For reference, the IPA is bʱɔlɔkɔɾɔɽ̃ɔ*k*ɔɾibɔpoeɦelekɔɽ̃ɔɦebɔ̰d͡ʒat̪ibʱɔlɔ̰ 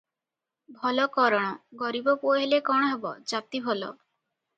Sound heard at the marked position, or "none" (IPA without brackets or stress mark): ɡ